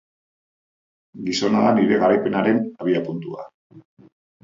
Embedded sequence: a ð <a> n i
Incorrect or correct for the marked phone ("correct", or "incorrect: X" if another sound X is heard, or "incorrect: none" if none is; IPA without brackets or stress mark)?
correct